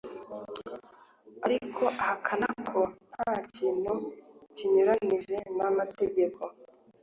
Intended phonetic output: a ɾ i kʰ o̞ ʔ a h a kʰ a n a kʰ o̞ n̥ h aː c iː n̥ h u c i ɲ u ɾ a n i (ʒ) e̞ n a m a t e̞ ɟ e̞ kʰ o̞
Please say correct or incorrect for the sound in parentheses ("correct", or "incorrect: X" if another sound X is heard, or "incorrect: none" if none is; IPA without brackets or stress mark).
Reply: correct